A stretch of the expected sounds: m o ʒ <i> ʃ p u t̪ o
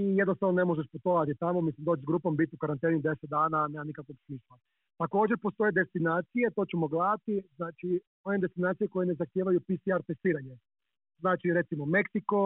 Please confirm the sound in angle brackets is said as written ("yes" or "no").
no